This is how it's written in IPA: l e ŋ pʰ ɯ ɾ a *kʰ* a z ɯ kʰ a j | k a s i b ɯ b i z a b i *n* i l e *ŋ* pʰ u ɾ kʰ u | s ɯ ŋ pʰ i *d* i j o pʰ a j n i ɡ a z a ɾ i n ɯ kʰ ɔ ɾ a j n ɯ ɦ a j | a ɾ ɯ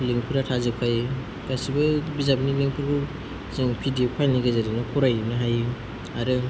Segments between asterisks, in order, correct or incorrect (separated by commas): incorrect, correct, correct, correct